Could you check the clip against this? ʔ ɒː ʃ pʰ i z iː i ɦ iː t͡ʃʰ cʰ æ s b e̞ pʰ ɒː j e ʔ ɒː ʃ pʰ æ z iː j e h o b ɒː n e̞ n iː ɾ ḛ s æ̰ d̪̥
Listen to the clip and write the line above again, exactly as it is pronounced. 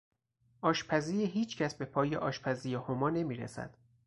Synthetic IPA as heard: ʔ ɒː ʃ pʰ æ z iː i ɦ iː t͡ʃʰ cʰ æ s b e̞ pʰ ɒː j e ʔ ɒː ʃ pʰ æ z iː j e h o m ɒː n e̞ m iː ɾ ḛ s æ̰ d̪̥